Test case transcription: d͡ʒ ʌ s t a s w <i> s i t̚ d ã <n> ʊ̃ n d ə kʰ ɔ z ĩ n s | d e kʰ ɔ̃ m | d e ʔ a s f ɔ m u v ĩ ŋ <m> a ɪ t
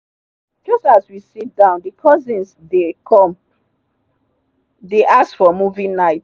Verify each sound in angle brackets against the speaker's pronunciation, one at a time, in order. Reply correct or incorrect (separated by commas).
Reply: correct, incorrect, incorrect